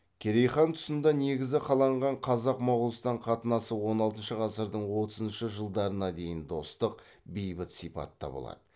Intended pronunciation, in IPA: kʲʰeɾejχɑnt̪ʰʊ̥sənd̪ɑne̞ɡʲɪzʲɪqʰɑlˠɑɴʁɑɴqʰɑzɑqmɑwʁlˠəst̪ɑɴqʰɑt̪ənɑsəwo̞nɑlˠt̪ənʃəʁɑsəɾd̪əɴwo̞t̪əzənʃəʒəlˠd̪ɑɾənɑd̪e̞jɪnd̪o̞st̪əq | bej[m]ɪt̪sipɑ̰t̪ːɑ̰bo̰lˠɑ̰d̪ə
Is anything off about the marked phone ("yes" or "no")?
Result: yes